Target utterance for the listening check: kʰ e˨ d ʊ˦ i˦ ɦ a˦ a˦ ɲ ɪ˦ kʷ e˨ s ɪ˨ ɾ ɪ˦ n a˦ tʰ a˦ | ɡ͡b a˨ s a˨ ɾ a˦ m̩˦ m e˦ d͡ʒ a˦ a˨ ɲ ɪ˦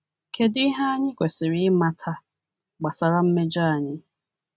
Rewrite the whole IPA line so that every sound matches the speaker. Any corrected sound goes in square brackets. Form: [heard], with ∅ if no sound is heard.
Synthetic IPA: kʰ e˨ d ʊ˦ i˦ ɦ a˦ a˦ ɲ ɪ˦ kʷ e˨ s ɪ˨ ɾ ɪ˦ [m] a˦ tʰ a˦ | ɡ͡b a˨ s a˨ ɾ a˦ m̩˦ m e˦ d͡ʒ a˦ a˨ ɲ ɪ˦